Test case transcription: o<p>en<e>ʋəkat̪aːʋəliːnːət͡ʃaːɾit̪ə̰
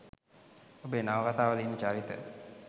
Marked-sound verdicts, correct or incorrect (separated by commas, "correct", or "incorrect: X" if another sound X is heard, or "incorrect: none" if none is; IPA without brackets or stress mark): incorrect: b, incorrect: a